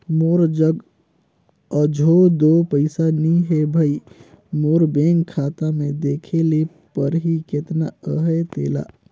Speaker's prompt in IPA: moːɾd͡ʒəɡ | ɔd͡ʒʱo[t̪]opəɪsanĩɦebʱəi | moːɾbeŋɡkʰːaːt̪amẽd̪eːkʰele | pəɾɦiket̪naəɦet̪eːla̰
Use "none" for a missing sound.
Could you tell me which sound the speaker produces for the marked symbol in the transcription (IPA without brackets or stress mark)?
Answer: d̪